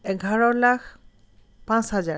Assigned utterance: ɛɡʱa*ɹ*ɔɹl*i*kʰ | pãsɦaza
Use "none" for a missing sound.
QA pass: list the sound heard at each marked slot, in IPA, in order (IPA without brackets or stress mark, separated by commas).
ɹ, a